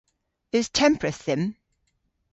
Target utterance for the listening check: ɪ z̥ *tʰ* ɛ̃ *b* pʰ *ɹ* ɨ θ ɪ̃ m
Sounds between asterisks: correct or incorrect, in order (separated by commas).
correct, incorrect, correct